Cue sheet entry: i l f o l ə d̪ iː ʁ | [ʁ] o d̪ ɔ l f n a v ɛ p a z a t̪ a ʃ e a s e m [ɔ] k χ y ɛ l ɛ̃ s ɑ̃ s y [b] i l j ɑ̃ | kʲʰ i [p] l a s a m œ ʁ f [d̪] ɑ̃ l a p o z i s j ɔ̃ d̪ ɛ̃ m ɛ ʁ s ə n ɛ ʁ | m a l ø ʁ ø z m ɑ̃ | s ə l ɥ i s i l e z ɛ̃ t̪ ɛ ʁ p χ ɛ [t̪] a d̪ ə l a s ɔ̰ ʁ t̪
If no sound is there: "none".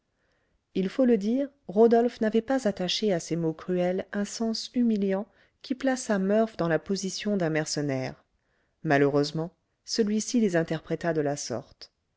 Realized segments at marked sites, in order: ʁ, o, m, p, d̪, t̪

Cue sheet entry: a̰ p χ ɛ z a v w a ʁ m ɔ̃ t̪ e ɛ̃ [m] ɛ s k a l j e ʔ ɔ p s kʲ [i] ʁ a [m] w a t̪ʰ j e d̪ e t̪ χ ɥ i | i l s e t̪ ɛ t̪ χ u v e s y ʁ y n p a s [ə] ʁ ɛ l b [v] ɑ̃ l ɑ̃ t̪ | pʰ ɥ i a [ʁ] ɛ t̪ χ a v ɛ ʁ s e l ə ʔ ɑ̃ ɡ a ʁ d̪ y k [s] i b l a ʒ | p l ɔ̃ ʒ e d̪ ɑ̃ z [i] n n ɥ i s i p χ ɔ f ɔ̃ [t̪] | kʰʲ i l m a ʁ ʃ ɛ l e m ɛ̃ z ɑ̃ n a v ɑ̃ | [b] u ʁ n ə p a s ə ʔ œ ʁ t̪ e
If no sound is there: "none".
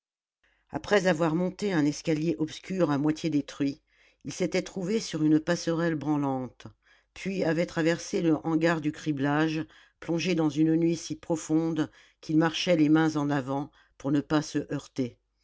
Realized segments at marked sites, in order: n, y, m, ə, ʁ, v, χ, y, d̪, p

